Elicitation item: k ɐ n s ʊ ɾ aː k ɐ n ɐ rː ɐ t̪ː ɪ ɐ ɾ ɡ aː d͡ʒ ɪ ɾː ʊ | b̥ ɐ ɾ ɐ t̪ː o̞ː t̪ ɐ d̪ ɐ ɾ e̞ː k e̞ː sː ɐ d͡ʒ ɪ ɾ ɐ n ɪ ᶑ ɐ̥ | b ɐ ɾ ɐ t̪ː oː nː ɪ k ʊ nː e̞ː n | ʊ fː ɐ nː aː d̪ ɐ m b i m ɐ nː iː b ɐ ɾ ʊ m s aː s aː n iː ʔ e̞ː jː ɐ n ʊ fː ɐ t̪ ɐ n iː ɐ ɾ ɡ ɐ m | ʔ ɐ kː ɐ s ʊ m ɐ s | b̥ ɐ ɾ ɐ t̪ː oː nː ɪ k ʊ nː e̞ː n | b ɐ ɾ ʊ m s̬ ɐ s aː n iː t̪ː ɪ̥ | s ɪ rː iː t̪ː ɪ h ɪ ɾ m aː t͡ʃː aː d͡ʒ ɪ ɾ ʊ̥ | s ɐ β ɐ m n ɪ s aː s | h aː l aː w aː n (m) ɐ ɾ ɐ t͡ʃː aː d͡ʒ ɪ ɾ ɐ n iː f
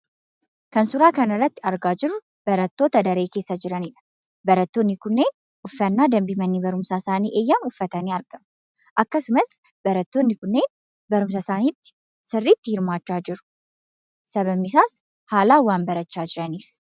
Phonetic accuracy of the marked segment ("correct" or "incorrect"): incorrect